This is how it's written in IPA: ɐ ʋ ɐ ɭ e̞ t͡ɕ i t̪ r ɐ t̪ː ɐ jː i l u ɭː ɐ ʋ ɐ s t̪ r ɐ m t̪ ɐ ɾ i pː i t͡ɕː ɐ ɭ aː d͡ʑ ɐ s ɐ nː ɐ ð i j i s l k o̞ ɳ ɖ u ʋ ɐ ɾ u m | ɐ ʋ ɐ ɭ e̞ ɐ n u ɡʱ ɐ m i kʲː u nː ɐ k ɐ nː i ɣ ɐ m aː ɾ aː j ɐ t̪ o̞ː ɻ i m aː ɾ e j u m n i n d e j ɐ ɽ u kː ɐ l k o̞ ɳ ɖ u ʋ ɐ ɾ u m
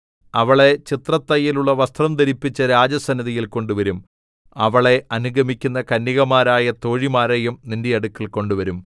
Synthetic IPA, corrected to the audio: ɐ ʋ ɐ ɭ e̞ t͡ɕ i t̪ r ɐ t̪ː ɐ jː i l u ɭː ɐ ʋ ɐ s t̪ r ɐ m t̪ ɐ ɾ i pː i t͡ɕː ɐ ɾ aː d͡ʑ ɐ s ɐ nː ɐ ð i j i l k o̞ ɳ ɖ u ʋ ɐ ɾ u m | ɐ ʋ ɐ ɭ e̞ ɐ n u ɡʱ ɐ m i kʲː u nː ɐ k ɐ nː i ɣ ɐ m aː ɾ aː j ɐ t̪ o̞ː ɻ i m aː ɾ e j u m n i n d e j ɐ ɽ u kː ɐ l k o̞ ɳ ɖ u ʋ ɐ ɾ u m

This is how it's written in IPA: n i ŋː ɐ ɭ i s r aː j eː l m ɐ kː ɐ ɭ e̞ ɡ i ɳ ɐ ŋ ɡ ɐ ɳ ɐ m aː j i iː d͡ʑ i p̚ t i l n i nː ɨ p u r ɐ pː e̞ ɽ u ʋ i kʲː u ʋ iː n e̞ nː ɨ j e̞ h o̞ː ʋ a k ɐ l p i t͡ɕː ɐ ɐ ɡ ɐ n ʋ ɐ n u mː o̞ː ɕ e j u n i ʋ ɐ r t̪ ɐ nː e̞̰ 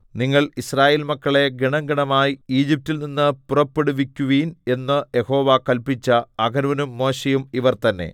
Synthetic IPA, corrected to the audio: n i ŋː ɐ ɭ i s r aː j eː l m ɐ kː ɐ ɭ e̞ ɡ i ɳ ɐ ŋ ɡ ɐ ɳ ɐ m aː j i iː d͡ʑ i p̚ t i l n i nː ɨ p u r ɐ pː e̞ ɽ u ʋ i kʲː u ʋ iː n e̞ nː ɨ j e̞ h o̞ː ʋ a k ɐ l p i t͡ɕː ɐ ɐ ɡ ɐ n ʋ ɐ n u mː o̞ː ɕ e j u m i ʋ ɐ r t̪ ɐ nː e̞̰

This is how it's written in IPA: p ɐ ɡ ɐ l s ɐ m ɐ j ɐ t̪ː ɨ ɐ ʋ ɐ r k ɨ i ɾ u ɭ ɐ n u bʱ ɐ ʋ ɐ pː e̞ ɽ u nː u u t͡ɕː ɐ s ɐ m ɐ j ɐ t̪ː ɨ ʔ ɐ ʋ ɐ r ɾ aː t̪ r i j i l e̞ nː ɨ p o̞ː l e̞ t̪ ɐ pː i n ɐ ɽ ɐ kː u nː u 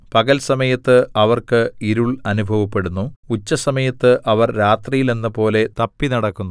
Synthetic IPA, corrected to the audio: p ɐ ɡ ɐ l s ɐ m ɐ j ɐ t̪ː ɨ ɐ ʋ ɐ r k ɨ i ɾ u ɭ ɐ n u bʱ ɐ ʋ ɐ pː e̞ ɽ u nː u u t͡ɕː ɐ s ɐ m ɐ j ɐ t̪ː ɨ ʔ ɐ ʋ ɐ r ɾ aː t̪ r i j i l e̞ nː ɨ p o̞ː l e̞ t̪ ɐ pː i n ɐ ɽ ɐ kː u nː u

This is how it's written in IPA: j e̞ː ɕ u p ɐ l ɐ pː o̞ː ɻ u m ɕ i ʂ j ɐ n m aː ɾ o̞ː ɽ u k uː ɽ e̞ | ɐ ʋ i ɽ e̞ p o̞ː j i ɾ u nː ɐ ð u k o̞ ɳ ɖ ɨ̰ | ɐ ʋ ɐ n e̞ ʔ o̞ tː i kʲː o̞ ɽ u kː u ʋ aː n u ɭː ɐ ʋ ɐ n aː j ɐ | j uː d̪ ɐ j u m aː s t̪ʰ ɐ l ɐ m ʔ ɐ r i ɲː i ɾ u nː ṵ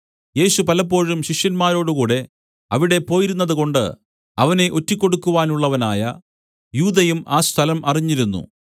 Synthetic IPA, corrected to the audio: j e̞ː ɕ u p ɐ l ɐ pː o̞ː ɻ u m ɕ i ʂ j ɐ n m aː ɾ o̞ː ɽ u k uː ɽ e̞ | ɐ ʋ i ɽ e̞ p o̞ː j i ɾ u nː ɐ ð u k o̞ ɳ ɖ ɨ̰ | ɐ ʋ ɐ n e̞ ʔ o̞ tː i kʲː o̞ ɽ u kː u ʋ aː n u ɭː ɐ ʋ ɐ n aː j ɐ | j uː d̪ ɐ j u m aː s t̪ʰ ɐ l ɐ m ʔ ɐ r i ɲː i ɾ u nː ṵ

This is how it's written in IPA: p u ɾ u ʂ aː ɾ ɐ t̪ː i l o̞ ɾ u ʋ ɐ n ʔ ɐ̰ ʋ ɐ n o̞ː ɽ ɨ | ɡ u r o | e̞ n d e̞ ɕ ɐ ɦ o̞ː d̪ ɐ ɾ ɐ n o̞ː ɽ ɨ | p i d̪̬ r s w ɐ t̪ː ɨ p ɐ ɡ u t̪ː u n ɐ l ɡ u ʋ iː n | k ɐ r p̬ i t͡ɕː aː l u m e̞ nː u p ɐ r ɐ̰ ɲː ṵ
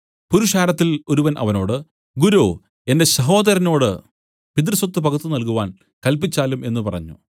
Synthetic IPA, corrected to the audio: p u ɾ u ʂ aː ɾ ɐ t̪ː i l o̞ ɾ u ʋ ɐ n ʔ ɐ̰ ʋ ɐ n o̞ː ɽ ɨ | ɡ u ɾ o | e̞ n d e̞ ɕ ɐ ɦ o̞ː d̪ ɐ ɾ ɐ n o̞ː ɽ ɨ | p i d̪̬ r s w ɐ t̪ː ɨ p ɐ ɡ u t̪ː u n ɐ l k u ʋ aː n | k ɐ l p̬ i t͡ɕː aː l u m e̞ nː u p ɐ r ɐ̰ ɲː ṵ

